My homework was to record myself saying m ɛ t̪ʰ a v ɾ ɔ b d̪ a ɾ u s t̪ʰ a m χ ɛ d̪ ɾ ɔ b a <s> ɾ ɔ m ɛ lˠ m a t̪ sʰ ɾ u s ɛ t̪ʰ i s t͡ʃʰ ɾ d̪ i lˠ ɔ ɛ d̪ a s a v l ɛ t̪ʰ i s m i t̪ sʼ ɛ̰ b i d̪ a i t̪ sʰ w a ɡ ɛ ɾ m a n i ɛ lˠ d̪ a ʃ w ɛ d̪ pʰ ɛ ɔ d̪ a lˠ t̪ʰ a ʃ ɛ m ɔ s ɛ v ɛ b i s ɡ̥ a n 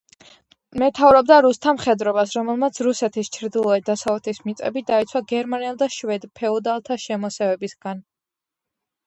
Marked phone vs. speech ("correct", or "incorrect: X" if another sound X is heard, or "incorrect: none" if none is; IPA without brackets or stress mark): correct